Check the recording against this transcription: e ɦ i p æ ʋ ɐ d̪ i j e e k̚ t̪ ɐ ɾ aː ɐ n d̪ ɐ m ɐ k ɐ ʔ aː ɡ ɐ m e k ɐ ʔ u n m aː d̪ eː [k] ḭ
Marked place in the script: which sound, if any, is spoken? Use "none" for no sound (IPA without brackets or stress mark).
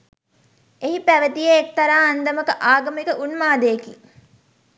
k